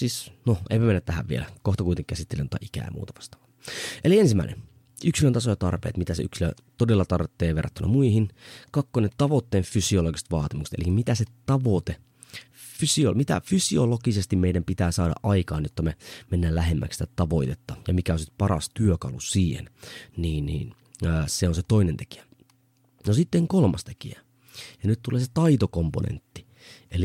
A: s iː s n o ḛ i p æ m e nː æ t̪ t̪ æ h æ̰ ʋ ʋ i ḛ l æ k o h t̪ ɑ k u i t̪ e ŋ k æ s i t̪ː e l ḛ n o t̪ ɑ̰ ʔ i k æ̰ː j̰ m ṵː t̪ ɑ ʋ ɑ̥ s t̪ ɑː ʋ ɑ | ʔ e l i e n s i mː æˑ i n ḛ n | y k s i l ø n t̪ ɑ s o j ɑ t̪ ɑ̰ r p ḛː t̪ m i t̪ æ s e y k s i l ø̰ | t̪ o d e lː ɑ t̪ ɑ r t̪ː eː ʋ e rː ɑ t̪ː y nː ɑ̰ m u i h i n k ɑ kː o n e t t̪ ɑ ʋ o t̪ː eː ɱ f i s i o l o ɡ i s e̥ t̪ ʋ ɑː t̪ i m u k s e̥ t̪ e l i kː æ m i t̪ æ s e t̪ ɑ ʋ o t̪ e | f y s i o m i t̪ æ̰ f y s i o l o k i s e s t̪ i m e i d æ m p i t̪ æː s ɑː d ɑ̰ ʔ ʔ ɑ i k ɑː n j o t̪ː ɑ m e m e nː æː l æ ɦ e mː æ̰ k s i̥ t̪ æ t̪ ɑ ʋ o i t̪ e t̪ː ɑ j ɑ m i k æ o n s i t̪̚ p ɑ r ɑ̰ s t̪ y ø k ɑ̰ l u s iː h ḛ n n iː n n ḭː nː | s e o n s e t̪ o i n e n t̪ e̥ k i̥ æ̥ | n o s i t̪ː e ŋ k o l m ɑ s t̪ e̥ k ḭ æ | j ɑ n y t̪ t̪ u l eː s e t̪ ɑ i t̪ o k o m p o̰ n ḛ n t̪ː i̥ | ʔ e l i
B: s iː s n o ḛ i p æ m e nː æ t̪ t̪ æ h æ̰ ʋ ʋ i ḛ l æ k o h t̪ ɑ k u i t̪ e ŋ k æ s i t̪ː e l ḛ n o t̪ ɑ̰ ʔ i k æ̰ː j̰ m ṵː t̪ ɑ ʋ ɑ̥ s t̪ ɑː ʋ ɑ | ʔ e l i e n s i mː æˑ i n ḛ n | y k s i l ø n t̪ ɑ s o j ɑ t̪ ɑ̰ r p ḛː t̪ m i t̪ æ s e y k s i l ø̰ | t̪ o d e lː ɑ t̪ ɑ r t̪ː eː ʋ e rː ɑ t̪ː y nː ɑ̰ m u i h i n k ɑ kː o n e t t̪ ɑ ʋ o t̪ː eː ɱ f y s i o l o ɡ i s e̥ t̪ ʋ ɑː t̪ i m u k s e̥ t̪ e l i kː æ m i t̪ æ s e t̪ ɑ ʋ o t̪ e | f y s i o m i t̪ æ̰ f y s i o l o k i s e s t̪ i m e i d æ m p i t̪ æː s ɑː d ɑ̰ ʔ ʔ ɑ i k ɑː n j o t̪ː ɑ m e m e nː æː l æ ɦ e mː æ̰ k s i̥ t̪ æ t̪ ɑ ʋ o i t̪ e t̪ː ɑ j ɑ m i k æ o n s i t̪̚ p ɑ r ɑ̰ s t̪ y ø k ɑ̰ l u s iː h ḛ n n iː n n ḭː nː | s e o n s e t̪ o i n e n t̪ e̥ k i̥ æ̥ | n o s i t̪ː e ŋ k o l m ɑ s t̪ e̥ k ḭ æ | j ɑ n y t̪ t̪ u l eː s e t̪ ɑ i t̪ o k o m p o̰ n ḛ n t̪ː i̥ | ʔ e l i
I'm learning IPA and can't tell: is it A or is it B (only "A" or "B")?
B